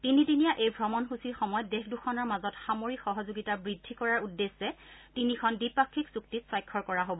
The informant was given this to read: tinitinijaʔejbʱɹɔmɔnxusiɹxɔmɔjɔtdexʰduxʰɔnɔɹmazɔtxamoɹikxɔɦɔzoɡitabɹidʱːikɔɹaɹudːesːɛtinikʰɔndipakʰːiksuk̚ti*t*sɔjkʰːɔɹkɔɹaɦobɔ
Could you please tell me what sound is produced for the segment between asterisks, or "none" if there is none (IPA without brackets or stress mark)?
t